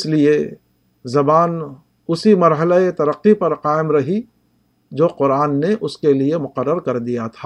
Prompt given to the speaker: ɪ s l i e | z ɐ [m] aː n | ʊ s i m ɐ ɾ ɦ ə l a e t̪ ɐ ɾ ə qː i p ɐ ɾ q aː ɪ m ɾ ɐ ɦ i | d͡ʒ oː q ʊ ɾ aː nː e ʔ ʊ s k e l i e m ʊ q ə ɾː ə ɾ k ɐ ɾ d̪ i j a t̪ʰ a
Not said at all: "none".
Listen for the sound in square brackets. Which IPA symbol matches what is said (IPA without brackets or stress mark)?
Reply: b